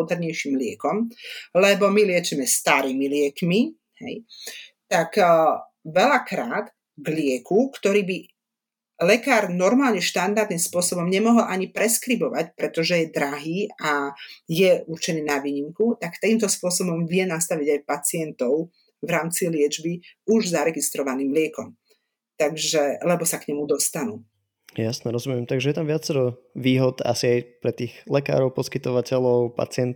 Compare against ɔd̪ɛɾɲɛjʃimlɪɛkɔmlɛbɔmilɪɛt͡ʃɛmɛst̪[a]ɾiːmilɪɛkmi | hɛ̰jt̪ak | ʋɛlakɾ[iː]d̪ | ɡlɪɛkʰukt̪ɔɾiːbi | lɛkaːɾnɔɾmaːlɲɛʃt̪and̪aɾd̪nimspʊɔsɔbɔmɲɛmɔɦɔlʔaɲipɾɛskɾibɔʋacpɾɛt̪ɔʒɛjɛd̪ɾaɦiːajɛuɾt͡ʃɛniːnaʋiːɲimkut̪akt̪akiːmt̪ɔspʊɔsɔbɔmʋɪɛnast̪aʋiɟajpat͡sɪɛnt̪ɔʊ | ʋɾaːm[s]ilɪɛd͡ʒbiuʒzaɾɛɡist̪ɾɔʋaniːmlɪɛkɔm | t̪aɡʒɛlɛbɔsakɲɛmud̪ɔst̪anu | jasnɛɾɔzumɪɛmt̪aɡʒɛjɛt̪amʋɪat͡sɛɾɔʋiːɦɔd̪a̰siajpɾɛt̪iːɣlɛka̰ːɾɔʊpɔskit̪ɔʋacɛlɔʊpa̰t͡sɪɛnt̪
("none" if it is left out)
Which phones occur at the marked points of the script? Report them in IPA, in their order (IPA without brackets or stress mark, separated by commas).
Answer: a, aː, t͡s